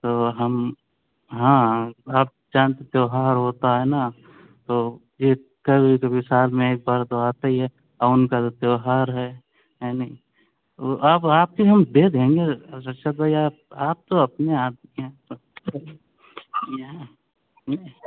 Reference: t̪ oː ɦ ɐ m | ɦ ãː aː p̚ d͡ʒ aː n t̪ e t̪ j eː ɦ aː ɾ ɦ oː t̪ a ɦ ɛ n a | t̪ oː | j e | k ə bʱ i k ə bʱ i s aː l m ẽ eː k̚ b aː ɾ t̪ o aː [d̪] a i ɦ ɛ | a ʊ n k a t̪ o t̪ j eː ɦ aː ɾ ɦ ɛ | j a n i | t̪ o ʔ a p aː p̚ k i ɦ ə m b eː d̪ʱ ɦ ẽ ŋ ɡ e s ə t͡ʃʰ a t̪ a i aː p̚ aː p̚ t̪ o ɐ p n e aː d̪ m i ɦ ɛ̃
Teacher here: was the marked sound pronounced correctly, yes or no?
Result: no